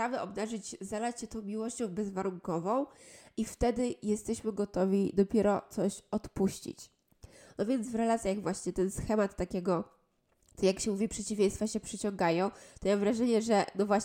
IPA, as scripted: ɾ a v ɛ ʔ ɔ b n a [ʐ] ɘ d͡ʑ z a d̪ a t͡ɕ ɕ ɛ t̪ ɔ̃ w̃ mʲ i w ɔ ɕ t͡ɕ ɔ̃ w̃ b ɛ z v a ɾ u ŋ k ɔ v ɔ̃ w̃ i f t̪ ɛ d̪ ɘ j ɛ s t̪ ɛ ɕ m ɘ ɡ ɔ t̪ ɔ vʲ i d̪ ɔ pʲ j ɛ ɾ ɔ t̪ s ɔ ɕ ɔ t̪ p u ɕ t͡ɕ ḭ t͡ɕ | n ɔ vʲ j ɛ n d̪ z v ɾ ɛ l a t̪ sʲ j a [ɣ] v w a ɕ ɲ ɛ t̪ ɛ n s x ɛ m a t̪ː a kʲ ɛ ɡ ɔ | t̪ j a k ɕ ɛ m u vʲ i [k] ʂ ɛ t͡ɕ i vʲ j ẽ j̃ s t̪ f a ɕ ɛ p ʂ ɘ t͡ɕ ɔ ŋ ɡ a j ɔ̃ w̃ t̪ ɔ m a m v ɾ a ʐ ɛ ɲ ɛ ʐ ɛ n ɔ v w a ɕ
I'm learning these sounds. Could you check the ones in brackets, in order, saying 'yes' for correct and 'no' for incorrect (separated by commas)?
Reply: yes, yes, no